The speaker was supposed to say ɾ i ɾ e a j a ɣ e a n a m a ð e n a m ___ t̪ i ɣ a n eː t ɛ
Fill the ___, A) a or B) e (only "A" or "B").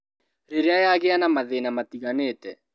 A